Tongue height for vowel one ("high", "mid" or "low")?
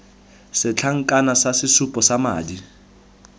high